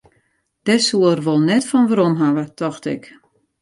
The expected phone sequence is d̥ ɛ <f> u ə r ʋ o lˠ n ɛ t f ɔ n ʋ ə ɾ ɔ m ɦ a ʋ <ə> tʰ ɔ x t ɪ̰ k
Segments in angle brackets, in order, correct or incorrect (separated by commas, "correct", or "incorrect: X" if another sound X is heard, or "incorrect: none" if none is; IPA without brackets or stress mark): incorrect: s, correct